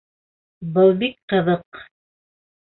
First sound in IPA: b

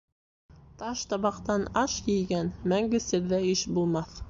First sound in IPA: t̪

